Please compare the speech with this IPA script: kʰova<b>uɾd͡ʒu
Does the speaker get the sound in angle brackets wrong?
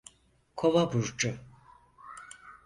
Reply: no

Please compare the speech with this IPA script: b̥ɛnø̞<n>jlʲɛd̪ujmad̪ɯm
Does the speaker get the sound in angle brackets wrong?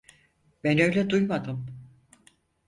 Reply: yes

